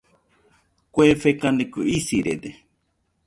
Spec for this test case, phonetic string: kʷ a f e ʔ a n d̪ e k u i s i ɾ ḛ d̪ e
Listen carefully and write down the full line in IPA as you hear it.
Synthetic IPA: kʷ e f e k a n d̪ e k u i s i ɾ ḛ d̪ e